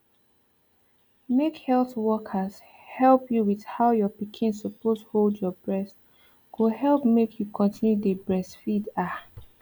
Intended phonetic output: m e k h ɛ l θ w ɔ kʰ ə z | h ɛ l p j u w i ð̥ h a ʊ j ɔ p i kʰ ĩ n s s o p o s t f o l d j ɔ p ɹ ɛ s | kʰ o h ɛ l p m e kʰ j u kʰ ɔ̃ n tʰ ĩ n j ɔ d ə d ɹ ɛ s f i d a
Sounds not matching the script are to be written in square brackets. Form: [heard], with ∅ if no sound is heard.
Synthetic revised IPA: m e k h ɛ l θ w ɔ kʰ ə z | h ɛ l p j u w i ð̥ h a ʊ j ɔ p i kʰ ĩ n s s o p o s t [h] o l d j ɔ [b] ɹ ɛ s | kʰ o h ɛ l p m e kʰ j u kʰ ɔ̃ n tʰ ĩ n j [u] d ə [b] ɹ ɛ s f i d a